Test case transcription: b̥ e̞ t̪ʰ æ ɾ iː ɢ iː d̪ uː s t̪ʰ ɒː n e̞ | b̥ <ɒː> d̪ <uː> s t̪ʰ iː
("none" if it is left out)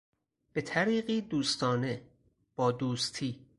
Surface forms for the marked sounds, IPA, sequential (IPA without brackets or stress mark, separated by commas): ɒː, uː